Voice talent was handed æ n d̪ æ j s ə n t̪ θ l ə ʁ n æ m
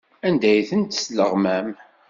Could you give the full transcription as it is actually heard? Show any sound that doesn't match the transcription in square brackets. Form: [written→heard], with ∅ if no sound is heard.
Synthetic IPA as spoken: æ n d̪ æ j [s→θ] ə n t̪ [θ→s] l ə ʁ [n→m] æ m